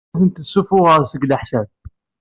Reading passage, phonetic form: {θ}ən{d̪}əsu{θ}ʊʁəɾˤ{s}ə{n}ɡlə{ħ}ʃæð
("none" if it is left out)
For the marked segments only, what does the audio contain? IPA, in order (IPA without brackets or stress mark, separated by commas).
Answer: θ, t̪, f, s, none, ħ